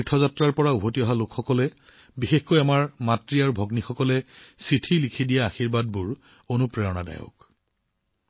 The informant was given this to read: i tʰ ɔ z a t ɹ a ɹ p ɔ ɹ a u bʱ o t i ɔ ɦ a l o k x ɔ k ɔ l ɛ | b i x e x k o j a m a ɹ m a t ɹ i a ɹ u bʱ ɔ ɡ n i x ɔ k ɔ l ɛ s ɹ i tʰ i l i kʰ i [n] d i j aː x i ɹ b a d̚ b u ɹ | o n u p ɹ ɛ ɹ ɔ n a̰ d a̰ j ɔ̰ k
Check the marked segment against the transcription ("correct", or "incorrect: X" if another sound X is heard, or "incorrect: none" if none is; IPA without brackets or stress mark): incorrect: none